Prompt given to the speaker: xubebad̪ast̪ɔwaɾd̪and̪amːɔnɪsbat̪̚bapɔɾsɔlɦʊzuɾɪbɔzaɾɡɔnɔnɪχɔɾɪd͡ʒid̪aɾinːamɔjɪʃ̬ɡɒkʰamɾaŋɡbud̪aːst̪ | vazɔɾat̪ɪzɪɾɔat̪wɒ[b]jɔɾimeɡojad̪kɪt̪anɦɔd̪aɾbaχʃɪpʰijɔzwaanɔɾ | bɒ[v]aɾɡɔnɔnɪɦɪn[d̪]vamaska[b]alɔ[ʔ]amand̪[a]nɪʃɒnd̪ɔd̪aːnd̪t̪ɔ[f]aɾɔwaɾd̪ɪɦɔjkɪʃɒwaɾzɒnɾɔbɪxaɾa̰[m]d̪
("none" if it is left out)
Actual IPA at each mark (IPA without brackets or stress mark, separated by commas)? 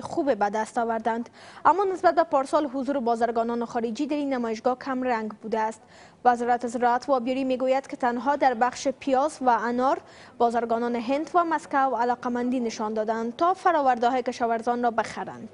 b, z, d̪, w, q, i, f, n